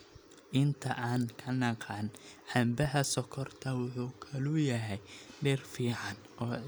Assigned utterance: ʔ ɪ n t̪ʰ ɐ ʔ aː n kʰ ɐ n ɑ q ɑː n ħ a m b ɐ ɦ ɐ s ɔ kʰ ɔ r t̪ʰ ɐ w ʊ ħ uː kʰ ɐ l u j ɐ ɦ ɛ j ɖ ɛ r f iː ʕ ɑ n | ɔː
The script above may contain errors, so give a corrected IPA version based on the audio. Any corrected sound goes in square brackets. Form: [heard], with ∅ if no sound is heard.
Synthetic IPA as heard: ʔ ɪ n t̪ʰ ɐ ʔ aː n kʰ ɐ n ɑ q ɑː n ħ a m b ɐ ɦ ɐ s ɔ kʰ ɔ r t̪ʰ ɐ w ʊ ħ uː kʰ ɐ l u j ɐ ɦ ɛ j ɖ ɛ r f iː ʕ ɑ n | ɔː